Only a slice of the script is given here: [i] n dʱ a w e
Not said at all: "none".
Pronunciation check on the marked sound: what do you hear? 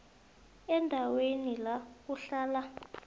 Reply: ɛ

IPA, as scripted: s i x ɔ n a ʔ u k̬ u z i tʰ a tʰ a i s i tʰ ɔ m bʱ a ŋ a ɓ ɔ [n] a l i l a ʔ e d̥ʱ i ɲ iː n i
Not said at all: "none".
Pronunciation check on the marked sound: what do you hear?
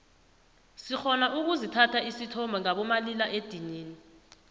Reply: m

